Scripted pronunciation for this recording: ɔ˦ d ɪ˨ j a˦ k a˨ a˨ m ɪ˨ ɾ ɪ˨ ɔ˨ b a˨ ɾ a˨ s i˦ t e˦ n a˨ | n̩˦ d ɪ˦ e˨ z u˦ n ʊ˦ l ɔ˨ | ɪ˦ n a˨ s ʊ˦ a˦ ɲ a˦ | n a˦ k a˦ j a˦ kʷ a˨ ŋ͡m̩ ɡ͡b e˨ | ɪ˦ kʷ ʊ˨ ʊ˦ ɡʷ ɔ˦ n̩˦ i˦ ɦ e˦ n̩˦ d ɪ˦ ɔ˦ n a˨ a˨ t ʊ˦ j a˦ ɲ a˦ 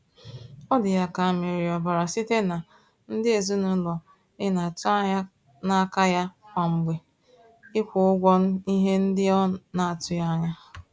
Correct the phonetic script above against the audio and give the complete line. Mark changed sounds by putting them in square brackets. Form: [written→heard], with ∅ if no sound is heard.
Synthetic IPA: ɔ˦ d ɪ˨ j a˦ k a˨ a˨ m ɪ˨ ɾ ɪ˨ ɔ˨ b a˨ ɾ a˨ s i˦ t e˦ n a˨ | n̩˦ d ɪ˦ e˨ z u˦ n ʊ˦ l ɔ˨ | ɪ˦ n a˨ [s→t] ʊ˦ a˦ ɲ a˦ | n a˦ k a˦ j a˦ kʷ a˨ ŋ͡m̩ ɡ͡b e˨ | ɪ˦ kʷ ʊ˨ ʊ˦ ɡʷ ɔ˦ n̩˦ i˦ ɦ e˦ n̩˦ d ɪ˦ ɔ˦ n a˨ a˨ t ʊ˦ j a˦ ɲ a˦